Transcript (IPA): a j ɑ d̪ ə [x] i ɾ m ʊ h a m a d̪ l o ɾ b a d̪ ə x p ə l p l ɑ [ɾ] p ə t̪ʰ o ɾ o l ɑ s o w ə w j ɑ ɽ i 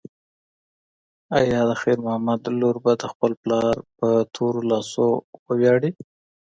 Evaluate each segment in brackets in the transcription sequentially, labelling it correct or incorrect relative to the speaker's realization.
correct, correct

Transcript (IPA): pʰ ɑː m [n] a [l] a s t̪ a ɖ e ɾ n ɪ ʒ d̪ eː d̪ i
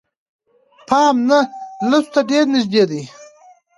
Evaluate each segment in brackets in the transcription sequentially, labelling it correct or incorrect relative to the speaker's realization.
correct, correct

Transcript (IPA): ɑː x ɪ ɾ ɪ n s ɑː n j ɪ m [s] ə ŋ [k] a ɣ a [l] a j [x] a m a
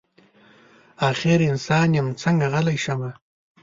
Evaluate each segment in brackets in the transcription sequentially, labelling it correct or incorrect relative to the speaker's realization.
incorrect, incorrect, correct, incorrect

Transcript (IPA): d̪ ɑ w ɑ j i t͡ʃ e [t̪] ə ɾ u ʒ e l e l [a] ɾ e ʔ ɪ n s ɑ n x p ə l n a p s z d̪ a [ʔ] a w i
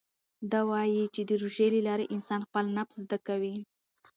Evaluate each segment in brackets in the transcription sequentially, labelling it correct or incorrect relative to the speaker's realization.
incorrect, incorrect, incorrect

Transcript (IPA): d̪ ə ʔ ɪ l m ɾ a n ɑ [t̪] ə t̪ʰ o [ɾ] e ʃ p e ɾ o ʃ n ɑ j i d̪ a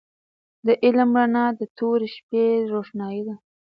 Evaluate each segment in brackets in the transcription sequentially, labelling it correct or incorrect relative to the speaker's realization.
incorrect, correct

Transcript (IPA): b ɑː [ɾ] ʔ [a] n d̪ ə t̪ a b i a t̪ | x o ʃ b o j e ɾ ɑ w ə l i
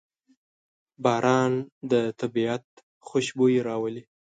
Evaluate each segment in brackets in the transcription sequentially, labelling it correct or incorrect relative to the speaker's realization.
correct, incorrect

